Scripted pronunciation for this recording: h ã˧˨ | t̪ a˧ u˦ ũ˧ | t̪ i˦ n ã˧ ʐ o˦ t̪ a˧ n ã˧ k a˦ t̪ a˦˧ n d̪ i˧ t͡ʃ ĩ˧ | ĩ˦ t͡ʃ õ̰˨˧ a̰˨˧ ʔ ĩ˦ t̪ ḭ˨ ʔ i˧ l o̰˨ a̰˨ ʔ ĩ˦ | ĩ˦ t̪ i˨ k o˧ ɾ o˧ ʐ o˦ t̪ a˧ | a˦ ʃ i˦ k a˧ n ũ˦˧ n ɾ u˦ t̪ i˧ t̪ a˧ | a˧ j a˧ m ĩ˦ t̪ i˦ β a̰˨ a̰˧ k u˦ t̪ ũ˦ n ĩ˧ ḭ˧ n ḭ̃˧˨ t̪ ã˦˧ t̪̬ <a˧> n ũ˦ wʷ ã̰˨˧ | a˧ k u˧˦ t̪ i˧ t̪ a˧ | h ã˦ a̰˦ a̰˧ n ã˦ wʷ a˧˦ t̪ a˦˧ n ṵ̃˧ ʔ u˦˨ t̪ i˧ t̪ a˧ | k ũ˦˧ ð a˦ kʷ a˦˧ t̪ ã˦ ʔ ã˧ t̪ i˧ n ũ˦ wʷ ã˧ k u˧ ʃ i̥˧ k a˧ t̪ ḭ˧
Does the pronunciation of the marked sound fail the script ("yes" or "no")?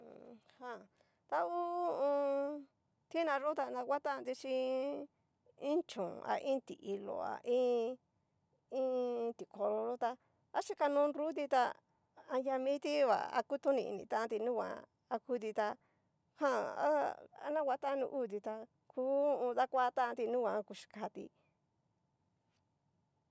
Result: yes